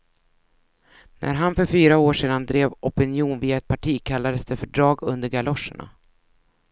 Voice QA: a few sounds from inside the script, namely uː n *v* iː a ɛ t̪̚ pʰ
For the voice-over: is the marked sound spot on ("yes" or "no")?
yes